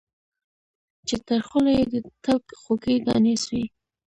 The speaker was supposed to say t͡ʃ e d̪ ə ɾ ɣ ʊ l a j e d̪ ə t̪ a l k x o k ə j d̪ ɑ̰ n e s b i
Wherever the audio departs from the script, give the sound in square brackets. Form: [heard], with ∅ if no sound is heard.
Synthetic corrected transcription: t͡ʃ e [t̪] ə ɾ [x] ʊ l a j e d̪ ə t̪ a l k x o k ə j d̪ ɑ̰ n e s [w] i